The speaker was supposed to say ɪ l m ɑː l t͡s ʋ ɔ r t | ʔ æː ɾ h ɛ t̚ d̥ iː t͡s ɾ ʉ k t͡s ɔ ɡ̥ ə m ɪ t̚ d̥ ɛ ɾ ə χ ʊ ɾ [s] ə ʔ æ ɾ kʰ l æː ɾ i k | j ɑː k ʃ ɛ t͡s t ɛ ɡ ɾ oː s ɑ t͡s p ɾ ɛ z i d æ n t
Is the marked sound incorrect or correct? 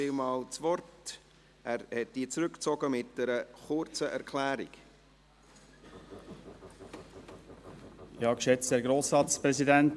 incorrect